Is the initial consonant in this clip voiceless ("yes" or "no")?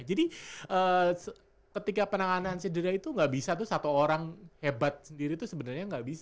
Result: no